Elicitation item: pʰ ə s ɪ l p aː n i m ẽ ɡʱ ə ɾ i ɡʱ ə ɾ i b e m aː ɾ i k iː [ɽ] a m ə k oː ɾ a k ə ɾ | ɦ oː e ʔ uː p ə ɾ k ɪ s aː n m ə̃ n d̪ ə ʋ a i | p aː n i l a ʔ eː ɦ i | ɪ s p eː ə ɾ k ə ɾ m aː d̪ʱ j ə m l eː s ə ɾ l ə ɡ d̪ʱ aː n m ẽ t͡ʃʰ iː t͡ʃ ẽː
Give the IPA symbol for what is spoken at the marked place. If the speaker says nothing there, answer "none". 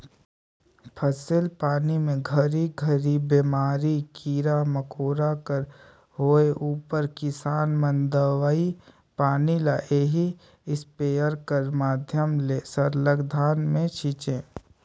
ɾ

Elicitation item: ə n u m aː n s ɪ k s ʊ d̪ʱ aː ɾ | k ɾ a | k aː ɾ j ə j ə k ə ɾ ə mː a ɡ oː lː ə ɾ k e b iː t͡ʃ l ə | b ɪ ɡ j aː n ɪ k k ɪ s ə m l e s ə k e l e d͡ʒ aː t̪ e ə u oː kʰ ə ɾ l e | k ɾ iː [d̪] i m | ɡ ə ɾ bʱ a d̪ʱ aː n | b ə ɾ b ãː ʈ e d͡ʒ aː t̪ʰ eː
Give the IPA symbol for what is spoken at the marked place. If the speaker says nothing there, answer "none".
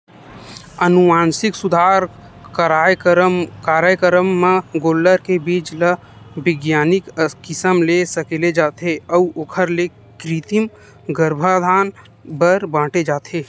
t̪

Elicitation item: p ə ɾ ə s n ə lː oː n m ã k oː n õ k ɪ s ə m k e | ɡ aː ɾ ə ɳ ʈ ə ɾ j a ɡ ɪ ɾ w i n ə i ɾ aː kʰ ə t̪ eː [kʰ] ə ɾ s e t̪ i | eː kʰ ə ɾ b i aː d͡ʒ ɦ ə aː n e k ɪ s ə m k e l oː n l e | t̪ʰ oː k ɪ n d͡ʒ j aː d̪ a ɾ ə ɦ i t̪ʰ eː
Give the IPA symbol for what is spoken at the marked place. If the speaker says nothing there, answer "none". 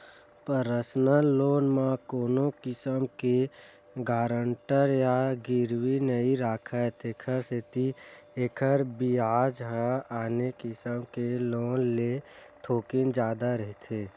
kʰ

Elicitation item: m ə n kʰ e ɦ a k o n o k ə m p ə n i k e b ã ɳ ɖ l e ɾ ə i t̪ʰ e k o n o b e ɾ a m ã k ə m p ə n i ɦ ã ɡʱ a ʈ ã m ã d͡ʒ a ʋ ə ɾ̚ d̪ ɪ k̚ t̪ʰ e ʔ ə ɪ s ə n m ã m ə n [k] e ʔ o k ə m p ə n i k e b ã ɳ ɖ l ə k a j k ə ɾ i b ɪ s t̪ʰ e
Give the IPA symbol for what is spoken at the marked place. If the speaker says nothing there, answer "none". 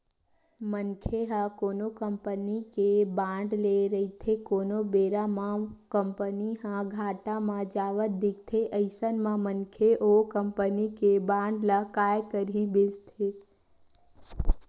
kʰ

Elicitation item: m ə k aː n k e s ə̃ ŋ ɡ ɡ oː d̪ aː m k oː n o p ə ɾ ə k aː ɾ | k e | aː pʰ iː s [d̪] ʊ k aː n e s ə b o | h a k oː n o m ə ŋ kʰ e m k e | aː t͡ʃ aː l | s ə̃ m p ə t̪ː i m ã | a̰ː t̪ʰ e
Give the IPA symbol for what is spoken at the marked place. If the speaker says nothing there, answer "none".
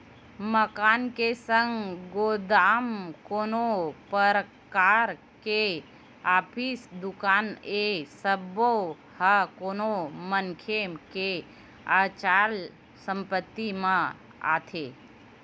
d̪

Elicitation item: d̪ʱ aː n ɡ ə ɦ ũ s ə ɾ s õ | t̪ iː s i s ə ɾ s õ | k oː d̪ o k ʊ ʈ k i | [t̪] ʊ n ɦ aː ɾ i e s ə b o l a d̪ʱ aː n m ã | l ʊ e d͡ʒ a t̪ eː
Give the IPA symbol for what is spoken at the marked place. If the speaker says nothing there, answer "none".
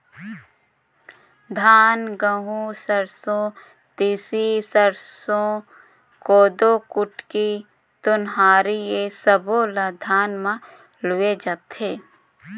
t̪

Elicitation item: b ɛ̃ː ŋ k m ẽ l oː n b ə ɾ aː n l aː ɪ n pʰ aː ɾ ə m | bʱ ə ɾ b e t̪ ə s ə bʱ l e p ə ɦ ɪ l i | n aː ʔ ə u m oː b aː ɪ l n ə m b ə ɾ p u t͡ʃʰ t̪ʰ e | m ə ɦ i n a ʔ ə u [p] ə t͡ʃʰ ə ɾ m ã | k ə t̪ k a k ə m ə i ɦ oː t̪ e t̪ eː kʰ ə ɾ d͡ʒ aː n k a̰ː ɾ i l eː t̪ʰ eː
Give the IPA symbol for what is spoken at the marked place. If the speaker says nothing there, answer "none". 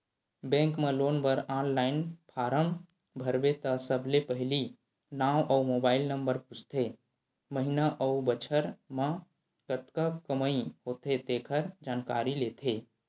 b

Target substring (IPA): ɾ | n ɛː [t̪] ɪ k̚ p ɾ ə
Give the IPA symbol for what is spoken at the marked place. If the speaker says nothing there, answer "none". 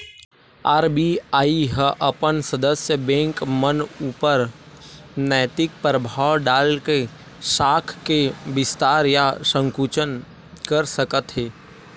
t̪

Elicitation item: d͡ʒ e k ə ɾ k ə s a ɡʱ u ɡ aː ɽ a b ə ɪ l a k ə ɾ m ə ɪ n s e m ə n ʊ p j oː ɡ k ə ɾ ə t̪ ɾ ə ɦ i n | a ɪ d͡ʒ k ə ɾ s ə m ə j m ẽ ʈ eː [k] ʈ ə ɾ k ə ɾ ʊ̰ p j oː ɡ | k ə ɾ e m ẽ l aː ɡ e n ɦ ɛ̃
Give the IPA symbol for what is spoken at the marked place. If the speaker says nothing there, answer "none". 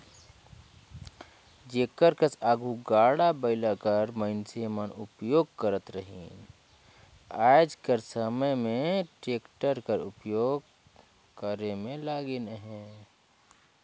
k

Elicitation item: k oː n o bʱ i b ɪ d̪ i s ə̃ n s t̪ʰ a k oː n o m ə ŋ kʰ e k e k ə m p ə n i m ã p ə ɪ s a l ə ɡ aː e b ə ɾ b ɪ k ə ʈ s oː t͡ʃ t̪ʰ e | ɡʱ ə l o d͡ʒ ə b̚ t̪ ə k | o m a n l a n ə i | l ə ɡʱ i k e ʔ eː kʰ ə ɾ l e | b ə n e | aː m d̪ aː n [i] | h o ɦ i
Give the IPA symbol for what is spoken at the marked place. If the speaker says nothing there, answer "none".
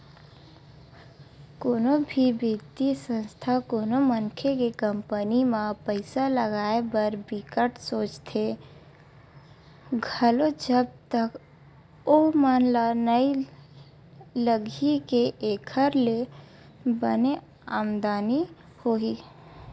i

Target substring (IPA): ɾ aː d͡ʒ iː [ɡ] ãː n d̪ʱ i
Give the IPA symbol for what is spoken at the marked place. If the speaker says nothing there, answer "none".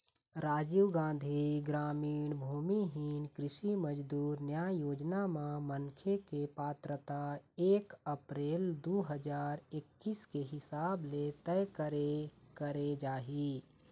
ɡ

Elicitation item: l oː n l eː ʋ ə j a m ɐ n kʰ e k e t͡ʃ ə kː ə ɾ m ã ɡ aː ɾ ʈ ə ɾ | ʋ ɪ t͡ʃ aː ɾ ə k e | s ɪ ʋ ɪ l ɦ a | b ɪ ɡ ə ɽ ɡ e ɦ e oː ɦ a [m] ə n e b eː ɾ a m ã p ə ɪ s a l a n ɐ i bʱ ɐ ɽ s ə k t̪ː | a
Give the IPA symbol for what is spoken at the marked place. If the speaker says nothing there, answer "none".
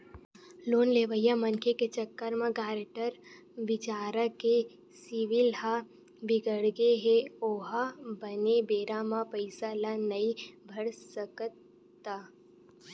b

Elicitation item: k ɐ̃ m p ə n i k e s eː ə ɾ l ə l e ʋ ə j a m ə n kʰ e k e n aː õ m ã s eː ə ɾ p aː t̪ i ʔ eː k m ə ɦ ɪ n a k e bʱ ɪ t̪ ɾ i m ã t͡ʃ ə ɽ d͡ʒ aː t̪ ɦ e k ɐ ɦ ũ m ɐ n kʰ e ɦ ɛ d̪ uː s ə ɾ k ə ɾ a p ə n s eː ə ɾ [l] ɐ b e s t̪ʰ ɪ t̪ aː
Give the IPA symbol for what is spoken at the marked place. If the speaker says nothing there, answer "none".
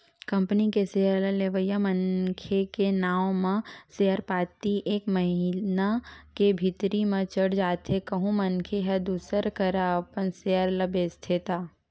l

